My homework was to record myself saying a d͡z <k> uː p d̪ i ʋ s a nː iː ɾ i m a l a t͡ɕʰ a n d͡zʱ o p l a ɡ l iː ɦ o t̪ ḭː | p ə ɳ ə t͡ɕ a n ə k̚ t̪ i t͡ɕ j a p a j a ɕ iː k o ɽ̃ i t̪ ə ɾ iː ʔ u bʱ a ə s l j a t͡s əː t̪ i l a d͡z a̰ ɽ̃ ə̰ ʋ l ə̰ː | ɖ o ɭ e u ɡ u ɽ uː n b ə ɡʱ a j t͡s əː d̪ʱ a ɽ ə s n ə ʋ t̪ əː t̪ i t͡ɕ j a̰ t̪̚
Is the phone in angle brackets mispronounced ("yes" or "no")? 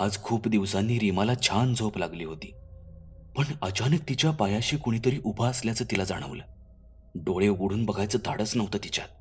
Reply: yes